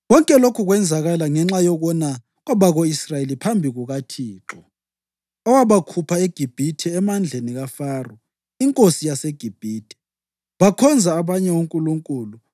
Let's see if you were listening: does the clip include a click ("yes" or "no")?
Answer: yes